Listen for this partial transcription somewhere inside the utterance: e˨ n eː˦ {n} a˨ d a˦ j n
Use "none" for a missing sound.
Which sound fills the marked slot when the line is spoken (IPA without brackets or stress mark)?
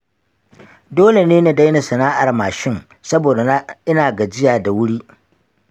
n